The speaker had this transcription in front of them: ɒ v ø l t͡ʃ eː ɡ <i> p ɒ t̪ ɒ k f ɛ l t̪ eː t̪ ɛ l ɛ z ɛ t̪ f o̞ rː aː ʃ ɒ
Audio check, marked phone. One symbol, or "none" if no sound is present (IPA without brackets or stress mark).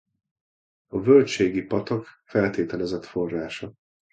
i